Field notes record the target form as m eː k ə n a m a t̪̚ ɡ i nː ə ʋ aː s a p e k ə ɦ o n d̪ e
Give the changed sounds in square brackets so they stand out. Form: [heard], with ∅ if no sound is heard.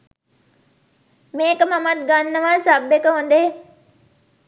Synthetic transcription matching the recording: m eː k ə [m] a m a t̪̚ ɡ [a] nː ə ʋ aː s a [b] e k ə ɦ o n d̪ e